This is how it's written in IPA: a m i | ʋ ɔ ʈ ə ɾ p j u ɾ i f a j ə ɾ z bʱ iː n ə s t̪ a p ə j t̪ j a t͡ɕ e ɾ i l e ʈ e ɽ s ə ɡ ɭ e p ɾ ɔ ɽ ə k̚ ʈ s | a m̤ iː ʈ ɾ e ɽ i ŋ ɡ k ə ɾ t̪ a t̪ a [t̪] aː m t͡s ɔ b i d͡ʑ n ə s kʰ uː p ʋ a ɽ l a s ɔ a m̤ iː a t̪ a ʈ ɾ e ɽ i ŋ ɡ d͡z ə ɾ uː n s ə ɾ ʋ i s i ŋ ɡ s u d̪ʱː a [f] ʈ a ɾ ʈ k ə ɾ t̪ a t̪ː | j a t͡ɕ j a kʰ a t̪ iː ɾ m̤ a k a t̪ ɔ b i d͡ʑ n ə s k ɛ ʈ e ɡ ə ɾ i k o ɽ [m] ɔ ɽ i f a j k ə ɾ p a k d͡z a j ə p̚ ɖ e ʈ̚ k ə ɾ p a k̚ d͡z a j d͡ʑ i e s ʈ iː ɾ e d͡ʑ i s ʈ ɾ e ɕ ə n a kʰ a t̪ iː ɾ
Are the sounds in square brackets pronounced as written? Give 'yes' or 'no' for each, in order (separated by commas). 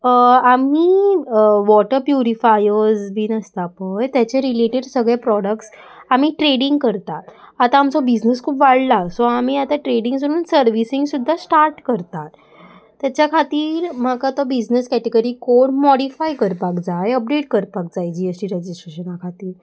yes, no, yes